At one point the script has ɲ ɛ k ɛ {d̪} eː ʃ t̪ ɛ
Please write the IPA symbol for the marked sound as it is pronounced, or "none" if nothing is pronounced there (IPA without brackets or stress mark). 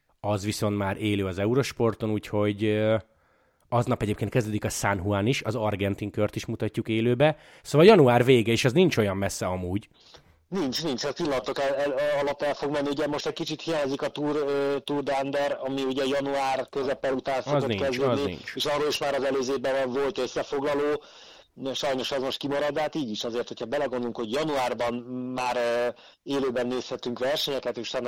t̪